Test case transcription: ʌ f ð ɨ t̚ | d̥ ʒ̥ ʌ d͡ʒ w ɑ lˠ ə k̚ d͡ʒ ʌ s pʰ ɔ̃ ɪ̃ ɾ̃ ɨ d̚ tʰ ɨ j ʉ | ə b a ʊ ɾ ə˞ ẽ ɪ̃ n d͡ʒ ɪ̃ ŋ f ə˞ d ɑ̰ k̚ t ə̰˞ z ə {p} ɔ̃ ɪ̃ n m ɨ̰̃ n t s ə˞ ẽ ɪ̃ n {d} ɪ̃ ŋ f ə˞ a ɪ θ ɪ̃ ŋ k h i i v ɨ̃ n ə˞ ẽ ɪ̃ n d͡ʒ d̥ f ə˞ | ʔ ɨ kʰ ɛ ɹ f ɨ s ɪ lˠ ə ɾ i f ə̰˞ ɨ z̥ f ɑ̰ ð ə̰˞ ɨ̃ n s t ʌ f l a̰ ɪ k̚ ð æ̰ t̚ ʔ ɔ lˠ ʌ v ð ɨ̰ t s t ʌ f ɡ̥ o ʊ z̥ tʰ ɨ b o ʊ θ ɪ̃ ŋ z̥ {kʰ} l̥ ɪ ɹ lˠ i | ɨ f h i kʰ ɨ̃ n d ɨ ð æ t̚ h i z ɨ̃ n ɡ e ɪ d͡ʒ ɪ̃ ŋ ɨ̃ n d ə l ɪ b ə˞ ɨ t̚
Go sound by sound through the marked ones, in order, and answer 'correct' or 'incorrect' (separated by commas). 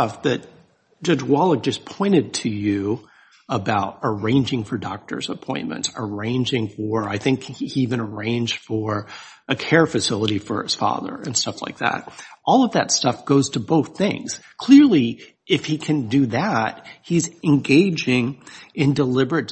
incorrect, incorrect, correct